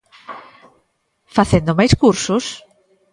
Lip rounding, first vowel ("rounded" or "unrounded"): unrounded